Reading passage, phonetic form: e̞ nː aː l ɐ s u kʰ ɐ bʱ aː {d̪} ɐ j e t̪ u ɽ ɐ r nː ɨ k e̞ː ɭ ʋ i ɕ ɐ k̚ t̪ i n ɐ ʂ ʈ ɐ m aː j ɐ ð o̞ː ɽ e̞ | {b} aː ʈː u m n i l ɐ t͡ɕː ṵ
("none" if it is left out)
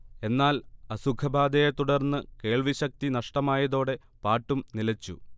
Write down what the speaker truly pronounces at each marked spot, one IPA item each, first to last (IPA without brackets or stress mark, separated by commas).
d̪, p